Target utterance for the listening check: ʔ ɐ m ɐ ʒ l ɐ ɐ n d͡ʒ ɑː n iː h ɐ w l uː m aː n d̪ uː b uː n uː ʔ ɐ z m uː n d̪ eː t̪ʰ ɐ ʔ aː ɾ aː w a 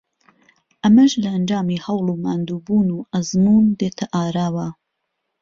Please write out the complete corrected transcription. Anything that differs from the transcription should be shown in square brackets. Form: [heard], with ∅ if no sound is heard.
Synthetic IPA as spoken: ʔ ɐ m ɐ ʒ l ɐ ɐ n d͡ʒ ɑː [m] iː h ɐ w l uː m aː n d̪ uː b uː n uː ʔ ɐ z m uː n d̪ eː t̪ʰ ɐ ʔ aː ɾ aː w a